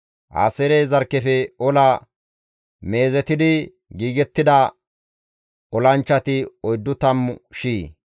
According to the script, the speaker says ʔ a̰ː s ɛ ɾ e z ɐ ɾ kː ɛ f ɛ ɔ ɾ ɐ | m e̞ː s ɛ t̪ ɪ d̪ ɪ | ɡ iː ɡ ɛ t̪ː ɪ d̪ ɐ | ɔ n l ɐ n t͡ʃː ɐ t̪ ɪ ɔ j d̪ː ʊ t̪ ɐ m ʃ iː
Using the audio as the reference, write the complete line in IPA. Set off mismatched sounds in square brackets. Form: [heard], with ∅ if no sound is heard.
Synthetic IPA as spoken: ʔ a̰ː s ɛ ɾ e z ɐ ɾ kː ɛ f ɛ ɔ [l] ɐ | m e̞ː [z] ɛ t̪ ɪ d̪ ɪ | ɡ iː ɡ ɛ t̪ː ɪ d̪ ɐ | ɔ [∅] l ɐ n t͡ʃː ɐ t̪ ɪ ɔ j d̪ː ʊ t̪ ɐ m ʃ iː